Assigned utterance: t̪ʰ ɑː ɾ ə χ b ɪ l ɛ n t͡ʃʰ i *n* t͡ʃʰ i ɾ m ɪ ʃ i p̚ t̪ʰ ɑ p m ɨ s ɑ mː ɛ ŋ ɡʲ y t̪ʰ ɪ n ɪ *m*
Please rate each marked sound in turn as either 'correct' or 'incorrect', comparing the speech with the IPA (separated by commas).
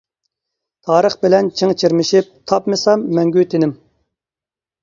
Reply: incorrect, correct